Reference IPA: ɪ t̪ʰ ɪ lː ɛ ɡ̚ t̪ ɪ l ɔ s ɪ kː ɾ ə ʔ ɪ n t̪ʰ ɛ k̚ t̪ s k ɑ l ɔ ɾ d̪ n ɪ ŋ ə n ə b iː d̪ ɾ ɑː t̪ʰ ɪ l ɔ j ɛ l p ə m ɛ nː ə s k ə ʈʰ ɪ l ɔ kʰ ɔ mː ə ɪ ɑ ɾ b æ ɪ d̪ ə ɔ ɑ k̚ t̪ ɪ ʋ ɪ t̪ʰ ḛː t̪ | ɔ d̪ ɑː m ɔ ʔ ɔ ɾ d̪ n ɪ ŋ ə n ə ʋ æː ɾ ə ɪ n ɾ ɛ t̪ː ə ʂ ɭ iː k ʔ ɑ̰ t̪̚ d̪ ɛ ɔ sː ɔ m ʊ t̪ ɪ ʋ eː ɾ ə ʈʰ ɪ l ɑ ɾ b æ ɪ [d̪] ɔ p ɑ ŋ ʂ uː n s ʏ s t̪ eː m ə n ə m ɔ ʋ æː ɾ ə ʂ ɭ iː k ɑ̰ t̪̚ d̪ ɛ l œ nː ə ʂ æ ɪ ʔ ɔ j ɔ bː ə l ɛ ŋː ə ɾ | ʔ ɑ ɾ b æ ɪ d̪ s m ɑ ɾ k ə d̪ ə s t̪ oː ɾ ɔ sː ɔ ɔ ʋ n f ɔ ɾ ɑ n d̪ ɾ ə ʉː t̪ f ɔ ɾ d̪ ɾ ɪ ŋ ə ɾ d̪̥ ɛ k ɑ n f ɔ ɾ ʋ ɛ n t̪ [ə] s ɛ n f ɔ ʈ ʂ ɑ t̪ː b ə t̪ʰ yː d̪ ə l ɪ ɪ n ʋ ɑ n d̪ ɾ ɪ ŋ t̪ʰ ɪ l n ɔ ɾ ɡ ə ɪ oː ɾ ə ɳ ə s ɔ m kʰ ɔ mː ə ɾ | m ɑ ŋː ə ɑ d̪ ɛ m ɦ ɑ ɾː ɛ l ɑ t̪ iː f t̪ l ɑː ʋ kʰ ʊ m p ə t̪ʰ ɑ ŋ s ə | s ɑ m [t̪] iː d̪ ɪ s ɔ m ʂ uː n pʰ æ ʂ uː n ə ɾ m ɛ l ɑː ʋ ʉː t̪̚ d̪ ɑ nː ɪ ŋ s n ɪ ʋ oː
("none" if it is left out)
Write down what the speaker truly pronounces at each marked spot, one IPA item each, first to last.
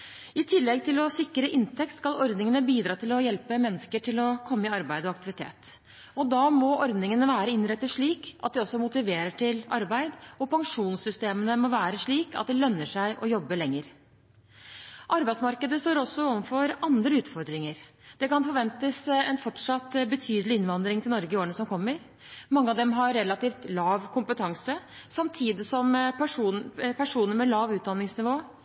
d̪, ə, t̪ʰ

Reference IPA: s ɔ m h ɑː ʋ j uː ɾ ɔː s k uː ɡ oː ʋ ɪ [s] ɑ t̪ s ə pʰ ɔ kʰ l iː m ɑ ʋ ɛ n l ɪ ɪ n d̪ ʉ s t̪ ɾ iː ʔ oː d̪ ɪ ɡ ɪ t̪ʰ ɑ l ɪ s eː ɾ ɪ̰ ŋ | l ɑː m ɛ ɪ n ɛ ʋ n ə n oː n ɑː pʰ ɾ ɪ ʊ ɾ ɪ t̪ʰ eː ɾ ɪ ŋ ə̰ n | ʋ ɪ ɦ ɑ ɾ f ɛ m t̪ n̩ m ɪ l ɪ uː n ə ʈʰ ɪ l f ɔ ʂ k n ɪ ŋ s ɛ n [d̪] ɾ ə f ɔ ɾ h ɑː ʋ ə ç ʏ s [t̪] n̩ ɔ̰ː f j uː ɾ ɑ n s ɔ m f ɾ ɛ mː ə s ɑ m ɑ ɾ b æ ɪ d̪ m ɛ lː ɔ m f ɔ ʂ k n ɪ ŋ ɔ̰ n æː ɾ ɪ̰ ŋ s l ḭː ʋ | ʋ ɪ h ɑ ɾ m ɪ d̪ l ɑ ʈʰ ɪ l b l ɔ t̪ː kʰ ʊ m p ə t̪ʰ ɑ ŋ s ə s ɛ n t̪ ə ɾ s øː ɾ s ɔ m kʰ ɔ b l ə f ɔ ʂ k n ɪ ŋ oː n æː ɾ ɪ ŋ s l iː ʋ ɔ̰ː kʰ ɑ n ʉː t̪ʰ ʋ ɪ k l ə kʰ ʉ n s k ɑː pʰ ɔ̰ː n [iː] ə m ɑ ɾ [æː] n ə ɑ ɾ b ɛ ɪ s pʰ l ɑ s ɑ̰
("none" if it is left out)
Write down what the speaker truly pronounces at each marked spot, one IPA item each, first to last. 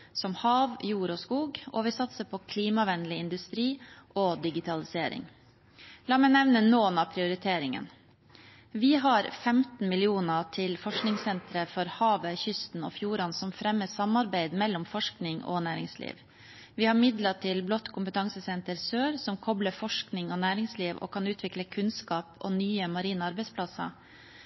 s, t̪, t̪, yː, iː

